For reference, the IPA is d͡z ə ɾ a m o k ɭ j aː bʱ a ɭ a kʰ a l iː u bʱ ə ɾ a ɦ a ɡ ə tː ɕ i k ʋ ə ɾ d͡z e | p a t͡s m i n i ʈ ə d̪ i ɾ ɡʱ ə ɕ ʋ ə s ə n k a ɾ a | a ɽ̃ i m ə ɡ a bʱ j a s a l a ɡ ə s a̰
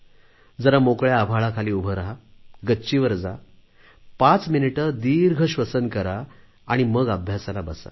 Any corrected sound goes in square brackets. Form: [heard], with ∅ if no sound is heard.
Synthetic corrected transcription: d͡z ə ɾ a m o k ɭ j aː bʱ a ɭ a kʰ a l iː u bʱ ə ɾ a ɦ a ɡ ə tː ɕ i [∅] ʋ ə ɾ d͡z [a] | p a t͡s m i n i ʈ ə d̪ i ɾ ɡʱ ə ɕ ʋ ə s ə n k [ə] ɾ a | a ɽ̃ i m ə ɡ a bʱ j a s a l a [b] ə s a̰